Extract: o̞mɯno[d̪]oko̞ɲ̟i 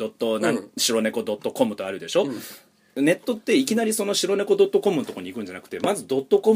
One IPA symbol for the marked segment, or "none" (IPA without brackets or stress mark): t̪